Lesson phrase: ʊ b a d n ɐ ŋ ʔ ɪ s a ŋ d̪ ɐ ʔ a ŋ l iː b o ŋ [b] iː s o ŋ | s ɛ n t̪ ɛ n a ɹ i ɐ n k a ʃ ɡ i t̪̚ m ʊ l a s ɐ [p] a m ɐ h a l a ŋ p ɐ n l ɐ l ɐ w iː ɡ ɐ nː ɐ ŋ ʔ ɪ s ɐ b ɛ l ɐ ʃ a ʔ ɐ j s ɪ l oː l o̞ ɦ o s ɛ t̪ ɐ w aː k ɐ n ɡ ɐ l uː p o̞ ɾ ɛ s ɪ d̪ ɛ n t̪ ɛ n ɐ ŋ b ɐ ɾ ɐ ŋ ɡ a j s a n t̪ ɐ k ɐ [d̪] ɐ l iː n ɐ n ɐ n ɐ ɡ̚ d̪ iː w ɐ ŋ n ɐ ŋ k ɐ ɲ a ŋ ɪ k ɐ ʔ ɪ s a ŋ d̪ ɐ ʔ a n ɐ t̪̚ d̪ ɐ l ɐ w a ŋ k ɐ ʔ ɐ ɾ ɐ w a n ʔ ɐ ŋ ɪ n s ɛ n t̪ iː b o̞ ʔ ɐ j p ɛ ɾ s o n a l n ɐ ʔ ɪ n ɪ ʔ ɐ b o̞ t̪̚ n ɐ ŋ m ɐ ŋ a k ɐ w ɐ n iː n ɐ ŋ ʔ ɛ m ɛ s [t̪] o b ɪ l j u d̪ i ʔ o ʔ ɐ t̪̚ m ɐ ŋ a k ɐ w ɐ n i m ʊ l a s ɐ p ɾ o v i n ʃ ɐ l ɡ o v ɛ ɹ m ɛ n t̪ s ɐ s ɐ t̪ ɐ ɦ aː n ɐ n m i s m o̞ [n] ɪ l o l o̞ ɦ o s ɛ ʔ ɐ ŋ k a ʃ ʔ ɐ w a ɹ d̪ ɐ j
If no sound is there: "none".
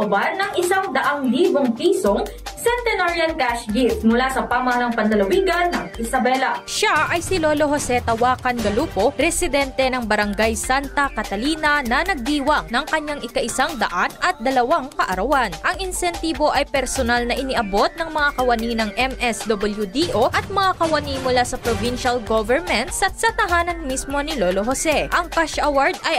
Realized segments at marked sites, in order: p, p, t̪, d̪, n

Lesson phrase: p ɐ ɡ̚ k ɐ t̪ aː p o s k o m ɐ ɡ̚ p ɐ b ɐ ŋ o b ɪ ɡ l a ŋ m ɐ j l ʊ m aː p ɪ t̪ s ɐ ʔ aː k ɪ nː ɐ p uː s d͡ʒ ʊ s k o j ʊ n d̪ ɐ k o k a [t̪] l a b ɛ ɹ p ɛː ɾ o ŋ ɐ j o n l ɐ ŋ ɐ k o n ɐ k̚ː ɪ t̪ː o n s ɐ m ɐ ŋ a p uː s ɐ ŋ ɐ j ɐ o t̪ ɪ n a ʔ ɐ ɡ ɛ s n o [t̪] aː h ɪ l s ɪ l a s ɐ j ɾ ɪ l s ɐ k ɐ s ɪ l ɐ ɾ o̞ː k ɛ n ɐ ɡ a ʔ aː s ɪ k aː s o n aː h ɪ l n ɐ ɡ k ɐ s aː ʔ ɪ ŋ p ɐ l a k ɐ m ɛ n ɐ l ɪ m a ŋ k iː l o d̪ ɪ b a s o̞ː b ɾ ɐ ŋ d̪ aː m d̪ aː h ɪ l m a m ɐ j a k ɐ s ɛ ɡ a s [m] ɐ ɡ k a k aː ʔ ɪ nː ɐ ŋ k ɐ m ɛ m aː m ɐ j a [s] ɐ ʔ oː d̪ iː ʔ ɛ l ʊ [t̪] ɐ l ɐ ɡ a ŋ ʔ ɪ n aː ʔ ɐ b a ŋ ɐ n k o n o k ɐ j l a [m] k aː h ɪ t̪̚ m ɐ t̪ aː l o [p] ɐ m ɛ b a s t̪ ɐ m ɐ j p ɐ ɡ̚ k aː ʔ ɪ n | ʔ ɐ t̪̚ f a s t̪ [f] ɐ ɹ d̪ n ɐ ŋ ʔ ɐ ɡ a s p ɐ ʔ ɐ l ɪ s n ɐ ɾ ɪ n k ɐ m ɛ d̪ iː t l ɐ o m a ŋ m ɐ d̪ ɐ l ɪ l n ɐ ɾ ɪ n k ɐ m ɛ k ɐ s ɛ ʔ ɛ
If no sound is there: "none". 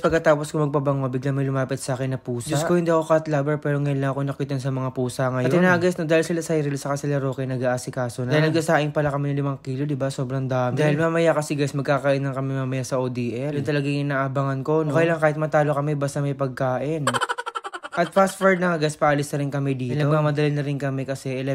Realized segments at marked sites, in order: t̪, d̪, m, s, t̪, ŋ, k, f

